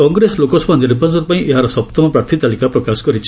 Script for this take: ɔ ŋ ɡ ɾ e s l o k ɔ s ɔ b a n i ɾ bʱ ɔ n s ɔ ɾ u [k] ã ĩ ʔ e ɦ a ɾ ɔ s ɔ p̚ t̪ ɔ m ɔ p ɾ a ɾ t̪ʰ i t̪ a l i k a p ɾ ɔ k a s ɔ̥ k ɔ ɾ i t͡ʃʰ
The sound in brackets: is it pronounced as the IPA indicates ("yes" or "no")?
no